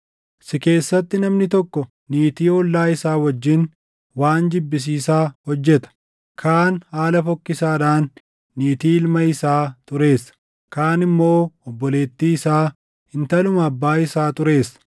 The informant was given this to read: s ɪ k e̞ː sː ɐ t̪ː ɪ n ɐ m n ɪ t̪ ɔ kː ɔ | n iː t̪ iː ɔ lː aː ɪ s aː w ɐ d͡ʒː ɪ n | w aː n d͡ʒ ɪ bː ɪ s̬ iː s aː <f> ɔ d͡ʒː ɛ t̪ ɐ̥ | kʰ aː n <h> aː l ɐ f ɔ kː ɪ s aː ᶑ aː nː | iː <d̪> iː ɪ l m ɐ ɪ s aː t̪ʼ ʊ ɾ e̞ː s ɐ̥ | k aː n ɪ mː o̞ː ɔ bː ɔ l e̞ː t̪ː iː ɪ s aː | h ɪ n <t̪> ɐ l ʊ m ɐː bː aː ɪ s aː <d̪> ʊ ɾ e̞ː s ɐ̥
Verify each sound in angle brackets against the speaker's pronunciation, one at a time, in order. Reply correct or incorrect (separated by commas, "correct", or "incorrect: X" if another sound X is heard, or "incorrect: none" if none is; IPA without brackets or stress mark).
incorrect: h, correct, incorrect: t̪, correct, incorrect: t̪